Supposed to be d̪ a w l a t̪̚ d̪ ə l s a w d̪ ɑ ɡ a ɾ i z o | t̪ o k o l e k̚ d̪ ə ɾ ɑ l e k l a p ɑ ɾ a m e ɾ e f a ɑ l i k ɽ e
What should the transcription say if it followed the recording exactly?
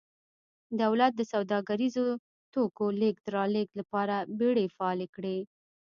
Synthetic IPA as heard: d̪ a w l a t̪̚ d̪ ə s a w d̪ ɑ ɡ a ɾ i z o | t̪ o k o l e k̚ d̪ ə ɾ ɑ l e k l a p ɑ ɾ a b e ɽ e f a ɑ l e k ɽ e